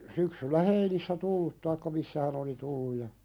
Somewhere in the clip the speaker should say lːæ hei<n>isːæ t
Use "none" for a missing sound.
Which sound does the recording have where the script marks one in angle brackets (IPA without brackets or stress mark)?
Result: n